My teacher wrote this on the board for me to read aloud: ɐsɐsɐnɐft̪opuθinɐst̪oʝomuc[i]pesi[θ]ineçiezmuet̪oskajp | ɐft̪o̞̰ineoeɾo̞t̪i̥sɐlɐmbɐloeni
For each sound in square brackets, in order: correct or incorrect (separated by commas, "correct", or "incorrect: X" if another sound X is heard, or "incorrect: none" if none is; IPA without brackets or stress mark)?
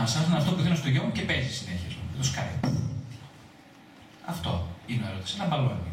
incorrect: e, incorrect: s